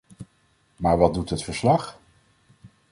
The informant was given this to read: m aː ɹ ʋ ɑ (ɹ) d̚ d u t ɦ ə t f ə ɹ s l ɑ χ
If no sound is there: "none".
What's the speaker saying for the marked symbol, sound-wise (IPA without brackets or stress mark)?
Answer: none